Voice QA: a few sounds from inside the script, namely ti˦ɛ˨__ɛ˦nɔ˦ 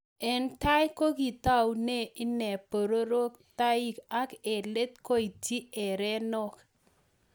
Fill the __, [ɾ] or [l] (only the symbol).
ɾ